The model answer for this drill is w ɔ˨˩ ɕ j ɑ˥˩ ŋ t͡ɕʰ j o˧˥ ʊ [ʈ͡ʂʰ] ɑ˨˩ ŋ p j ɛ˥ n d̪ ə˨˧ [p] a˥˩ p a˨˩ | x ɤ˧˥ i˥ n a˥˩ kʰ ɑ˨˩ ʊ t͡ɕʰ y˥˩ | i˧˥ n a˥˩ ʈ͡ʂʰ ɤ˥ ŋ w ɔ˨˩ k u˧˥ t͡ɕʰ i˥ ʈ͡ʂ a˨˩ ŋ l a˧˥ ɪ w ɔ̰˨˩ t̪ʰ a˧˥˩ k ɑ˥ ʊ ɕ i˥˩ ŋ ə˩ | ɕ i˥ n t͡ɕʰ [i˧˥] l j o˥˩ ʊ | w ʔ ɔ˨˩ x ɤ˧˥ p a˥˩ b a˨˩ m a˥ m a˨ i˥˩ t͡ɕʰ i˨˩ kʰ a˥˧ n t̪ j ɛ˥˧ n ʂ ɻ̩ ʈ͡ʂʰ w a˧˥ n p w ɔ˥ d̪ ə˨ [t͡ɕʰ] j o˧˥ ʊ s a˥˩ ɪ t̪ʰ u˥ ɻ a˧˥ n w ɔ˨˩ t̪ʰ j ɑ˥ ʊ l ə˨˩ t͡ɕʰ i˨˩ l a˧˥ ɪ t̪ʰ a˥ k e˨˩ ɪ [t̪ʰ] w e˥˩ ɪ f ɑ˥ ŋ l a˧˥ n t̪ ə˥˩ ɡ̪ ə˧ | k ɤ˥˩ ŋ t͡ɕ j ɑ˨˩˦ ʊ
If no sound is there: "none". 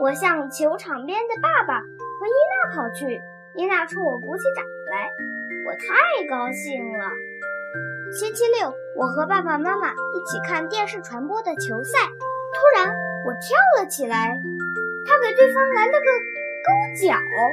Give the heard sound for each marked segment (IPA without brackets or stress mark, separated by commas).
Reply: ʈ͡ʂʰ, p, i˥, t͡ɕʰ, t̪